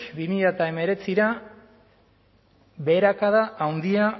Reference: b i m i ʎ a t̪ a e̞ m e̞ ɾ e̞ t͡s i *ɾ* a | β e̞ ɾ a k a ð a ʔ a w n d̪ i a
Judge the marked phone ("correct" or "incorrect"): correct